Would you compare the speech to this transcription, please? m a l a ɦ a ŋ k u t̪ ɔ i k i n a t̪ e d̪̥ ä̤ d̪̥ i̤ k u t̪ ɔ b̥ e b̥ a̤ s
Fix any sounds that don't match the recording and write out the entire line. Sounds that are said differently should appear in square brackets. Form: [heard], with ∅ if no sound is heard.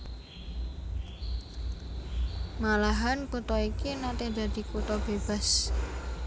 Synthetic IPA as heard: m a l a ɦ a [n] k u t̪ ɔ i k i n a t̪ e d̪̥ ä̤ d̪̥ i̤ k u t̪ ɔ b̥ e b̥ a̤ s